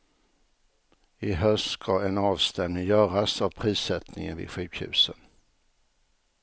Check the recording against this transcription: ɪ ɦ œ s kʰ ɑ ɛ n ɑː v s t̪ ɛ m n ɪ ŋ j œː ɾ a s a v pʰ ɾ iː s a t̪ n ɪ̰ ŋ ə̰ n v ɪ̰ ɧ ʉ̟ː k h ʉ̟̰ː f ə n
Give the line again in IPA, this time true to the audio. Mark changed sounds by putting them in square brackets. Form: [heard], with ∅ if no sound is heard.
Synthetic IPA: ɪ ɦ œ s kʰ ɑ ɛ n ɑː v s t̪ ɛ m n ɪ ŋ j œː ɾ a s a v pʰ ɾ iː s [ɛ] t̪ n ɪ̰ ŋ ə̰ n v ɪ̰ ɧ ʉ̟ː k h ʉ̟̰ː [s] ə n